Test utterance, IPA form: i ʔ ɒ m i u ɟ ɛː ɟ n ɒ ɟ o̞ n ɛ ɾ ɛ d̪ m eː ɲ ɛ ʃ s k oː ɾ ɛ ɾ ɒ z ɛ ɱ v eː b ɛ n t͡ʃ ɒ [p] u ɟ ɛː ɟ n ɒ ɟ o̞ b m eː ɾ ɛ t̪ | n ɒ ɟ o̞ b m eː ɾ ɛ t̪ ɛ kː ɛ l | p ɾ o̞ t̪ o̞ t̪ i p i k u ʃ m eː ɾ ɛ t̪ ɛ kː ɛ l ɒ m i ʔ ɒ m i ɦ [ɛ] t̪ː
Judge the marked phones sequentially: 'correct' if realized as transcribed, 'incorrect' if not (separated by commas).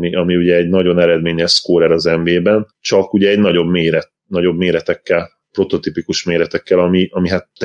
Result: incorrect, incorrect